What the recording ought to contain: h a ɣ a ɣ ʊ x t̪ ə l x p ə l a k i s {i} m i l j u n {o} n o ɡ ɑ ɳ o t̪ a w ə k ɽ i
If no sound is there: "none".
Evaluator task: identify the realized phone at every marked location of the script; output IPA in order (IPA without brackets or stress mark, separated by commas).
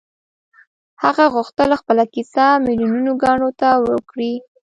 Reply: a, u